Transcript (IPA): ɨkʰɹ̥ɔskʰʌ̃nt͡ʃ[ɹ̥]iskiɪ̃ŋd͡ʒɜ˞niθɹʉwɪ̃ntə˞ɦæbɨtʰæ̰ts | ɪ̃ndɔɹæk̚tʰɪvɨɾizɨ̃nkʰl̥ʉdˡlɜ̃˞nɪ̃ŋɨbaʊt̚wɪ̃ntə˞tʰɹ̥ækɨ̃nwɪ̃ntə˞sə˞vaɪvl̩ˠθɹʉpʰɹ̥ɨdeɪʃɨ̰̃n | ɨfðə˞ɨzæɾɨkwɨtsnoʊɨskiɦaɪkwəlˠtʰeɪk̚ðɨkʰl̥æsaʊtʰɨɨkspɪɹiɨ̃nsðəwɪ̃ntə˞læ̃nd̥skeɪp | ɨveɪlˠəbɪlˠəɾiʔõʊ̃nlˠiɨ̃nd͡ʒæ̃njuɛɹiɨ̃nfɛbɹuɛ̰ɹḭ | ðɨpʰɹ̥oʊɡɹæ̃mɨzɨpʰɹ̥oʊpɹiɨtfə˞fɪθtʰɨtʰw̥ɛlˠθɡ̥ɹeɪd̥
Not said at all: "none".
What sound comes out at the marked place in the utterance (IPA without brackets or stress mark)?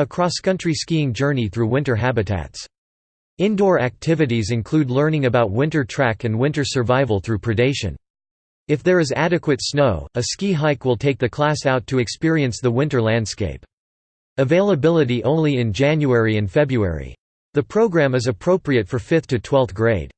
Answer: ɹ̥